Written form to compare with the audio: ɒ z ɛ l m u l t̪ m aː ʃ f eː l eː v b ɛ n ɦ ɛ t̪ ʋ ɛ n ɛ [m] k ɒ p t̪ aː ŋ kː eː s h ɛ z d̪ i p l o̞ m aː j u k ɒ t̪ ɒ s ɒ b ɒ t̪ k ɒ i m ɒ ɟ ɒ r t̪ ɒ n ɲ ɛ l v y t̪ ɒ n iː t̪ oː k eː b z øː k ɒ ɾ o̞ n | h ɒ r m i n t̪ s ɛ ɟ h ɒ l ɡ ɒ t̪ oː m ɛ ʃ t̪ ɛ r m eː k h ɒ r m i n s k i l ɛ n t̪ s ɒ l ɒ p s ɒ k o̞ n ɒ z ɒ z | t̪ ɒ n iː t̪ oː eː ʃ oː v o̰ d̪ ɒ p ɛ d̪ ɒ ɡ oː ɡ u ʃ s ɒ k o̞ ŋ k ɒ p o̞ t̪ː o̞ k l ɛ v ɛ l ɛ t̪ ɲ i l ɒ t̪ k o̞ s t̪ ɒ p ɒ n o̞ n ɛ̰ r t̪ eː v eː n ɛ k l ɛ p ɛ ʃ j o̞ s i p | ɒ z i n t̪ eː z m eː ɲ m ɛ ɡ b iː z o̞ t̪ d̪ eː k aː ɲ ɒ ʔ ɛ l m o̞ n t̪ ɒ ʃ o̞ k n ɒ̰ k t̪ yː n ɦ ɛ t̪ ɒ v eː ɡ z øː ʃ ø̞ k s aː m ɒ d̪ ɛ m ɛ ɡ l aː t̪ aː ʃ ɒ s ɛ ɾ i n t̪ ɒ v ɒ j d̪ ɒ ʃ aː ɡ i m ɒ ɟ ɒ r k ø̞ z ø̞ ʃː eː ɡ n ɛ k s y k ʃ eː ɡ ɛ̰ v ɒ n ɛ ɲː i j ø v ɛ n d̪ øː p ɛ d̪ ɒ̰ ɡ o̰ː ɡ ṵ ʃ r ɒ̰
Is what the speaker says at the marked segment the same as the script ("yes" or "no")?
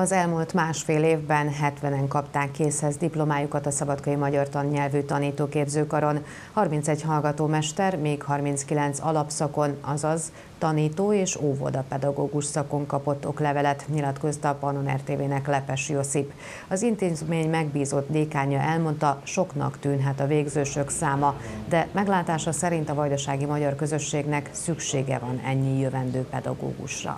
no